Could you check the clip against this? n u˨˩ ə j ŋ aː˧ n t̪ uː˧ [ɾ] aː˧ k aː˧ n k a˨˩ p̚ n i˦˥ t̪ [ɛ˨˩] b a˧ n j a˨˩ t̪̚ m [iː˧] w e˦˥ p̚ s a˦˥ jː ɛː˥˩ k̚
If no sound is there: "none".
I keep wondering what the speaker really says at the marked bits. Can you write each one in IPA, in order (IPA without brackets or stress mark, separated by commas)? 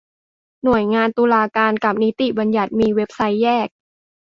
l, i˨˩, iː˧